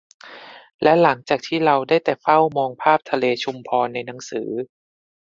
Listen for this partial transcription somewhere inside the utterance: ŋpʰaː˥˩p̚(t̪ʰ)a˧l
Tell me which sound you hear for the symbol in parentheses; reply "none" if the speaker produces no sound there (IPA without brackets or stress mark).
t̪ʰ